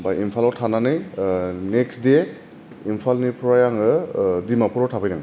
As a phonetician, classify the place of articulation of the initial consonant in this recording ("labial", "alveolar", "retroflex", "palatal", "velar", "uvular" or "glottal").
labial